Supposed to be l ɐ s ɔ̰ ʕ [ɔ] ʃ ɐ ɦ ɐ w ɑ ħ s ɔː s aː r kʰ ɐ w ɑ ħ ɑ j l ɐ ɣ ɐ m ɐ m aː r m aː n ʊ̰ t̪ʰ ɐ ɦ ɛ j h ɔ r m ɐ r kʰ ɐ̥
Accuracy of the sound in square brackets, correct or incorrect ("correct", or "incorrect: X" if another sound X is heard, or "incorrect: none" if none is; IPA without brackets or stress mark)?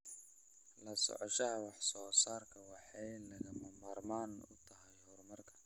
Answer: correct